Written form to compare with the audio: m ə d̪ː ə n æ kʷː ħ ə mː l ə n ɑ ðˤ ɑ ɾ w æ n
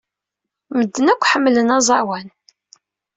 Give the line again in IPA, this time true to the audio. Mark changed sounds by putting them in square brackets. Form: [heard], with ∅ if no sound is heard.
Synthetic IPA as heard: m ə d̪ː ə n æ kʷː ħ ə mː l ə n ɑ [zˤ] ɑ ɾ w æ n